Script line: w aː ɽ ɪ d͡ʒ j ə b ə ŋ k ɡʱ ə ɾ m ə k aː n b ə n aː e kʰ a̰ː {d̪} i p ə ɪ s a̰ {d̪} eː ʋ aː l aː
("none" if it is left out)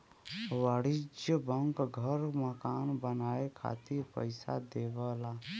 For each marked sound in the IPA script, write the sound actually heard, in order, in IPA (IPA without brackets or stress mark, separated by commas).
t̪, d̪